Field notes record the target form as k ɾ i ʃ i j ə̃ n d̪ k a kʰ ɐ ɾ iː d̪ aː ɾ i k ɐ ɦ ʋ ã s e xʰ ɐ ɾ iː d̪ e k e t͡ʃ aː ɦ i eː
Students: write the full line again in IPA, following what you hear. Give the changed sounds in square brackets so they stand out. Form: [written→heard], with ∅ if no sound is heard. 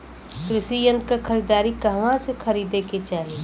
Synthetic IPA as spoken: k ɾ [i→ɪ] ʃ i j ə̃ n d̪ k a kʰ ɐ ɾ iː d̪ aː ɾ i k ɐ ɦ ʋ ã s e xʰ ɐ ɾ iː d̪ e k e t͡ʃ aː ɦ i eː